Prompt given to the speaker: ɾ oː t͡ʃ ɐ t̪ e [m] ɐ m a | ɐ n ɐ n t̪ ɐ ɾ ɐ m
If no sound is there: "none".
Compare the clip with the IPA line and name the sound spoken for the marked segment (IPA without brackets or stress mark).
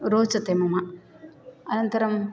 m